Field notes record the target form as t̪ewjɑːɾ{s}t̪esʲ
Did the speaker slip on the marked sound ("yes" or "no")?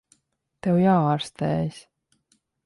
no